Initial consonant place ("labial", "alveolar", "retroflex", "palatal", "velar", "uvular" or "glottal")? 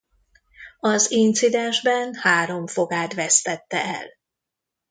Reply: alveolar